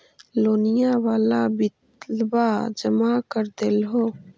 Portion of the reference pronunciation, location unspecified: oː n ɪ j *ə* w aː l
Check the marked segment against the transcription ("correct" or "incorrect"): incorrect